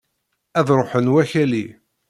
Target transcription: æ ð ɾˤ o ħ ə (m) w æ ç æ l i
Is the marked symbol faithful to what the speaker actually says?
no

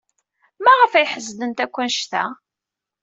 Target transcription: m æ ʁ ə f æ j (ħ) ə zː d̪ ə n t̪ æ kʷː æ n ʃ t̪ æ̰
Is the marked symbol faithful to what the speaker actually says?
yes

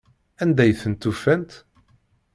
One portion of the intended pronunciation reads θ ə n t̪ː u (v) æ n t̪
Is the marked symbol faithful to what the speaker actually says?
no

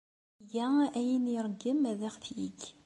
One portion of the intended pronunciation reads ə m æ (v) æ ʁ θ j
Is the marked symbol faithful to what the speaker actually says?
no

